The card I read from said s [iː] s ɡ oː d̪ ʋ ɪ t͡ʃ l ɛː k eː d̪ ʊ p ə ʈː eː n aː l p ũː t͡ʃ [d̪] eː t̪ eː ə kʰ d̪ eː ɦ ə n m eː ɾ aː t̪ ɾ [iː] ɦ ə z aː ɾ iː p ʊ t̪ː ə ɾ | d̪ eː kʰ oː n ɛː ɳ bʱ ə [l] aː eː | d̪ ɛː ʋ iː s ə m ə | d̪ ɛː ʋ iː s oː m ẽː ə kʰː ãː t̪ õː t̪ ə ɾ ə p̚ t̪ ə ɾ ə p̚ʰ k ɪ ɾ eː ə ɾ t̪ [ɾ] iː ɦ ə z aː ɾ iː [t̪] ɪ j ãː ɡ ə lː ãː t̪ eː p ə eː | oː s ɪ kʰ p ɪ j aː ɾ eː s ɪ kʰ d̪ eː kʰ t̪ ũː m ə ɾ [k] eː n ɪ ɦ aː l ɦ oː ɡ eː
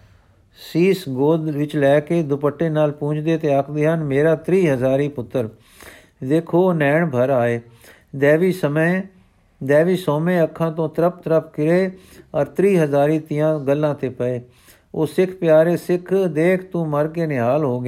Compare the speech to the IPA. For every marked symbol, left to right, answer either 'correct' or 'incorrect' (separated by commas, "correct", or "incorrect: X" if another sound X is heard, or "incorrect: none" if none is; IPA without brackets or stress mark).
correct, correct, correct, incorrect: ɾ, correct, correct, correct